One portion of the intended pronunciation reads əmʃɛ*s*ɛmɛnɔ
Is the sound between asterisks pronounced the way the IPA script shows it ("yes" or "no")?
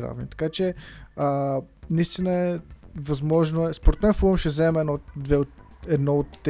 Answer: no